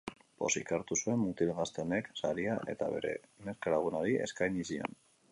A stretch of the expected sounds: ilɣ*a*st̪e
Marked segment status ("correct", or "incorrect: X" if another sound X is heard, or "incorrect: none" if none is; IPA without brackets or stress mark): correct